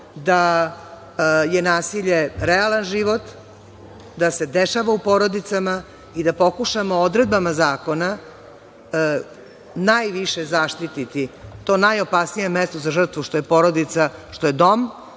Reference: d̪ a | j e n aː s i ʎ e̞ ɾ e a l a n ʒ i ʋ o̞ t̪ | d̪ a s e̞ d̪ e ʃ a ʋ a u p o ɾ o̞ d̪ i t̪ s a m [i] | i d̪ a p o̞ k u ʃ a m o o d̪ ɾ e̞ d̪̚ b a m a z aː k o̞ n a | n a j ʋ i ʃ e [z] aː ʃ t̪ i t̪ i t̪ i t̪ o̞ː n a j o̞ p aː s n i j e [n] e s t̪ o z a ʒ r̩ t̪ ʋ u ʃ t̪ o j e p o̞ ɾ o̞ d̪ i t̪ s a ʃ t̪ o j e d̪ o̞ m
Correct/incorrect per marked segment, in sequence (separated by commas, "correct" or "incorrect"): incorrect, correct, incorrect